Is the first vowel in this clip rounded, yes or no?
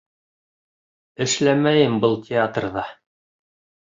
no